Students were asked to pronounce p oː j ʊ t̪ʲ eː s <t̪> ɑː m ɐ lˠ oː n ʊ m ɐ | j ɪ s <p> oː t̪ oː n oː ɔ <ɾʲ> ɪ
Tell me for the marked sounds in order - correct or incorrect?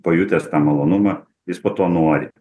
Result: correct, correct, correct

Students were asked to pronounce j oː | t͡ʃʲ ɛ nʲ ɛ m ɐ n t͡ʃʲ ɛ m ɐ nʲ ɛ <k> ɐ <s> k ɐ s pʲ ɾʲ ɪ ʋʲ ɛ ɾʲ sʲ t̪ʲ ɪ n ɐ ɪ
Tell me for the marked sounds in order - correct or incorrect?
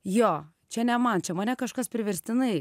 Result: correct, incorrect

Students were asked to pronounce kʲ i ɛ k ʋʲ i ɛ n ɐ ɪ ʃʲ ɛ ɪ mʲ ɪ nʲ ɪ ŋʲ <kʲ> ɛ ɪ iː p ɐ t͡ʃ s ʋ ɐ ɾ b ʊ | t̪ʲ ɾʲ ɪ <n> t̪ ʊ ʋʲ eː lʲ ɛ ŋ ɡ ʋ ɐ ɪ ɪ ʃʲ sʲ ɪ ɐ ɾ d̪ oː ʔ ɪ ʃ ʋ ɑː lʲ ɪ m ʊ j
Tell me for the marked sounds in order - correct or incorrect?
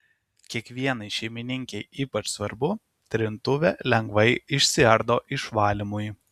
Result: correct, correct

